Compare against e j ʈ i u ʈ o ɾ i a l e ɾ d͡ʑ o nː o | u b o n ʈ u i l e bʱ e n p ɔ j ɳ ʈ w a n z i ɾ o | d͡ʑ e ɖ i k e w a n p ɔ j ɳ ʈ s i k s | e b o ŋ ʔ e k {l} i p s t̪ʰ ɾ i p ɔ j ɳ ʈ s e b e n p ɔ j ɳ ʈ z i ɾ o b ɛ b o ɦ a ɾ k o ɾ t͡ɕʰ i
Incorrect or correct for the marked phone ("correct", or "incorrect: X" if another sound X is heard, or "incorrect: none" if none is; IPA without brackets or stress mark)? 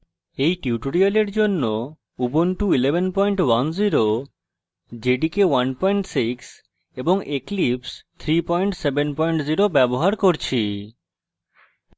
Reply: correct